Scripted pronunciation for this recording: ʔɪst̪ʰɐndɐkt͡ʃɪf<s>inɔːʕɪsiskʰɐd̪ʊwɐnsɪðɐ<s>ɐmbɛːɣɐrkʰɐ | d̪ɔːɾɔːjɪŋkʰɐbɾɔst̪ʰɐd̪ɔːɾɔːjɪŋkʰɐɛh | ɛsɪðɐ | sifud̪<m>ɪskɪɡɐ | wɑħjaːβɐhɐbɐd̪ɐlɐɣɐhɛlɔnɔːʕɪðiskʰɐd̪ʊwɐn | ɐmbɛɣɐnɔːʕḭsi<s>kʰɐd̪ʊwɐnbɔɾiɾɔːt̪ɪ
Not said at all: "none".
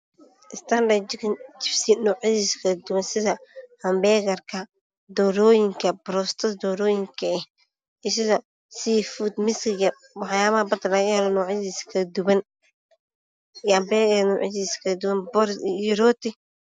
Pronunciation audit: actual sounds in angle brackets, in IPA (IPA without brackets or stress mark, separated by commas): s, h, m, s